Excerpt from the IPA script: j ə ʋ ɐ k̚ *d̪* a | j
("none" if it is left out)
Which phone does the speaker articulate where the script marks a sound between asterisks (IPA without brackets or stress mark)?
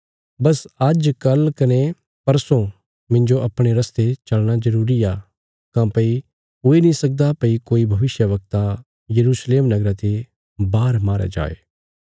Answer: t̪